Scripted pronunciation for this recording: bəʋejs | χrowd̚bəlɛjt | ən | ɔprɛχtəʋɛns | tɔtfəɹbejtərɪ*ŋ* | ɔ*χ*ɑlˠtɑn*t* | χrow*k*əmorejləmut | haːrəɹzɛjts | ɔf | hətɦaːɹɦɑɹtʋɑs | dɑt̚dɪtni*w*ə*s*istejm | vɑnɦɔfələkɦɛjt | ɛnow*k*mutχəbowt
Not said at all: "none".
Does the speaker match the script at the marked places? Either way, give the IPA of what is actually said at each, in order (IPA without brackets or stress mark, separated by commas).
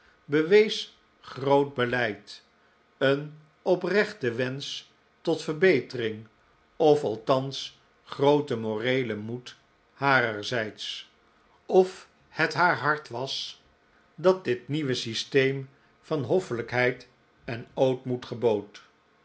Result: ŋ, f, s, t, ʋ, s, t